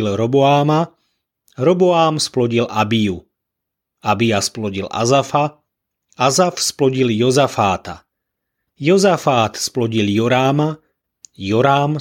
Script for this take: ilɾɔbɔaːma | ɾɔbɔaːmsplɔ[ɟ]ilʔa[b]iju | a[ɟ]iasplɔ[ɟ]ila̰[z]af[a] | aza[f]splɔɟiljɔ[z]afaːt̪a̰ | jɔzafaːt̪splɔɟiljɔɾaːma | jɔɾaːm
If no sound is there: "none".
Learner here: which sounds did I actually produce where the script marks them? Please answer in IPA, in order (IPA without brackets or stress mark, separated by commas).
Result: ɟ, b, b, ɟ, z, a, f, z